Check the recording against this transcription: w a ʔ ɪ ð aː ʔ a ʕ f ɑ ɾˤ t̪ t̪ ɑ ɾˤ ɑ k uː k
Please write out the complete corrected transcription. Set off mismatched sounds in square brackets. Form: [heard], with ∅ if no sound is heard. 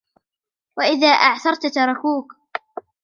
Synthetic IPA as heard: w a ʔ ɪ ð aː ʔ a ʕ [θ] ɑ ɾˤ t̪ t̪ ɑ ɾˤ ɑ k uː k